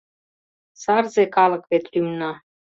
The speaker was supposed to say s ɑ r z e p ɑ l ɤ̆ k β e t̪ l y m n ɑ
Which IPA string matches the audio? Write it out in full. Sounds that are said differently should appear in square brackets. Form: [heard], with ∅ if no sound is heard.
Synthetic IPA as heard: s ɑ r z e [k] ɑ l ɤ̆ k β e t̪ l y m n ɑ